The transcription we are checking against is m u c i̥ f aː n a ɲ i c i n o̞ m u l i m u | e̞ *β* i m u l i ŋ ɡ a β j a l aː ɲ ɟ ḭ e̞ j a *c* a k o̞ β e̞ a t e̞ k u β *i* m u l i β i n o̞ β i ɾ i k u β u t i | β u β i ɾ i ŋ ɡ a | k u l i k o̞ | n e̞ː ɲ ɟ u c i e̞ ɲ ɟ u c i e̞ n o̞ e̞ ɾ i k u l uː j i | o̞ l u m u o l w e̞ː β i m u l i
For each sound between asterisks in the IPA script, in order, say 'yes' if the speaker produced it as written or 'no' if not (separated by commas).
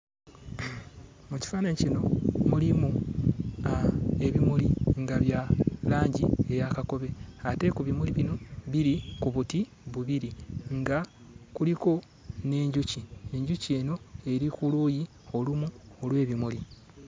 yes, no, yes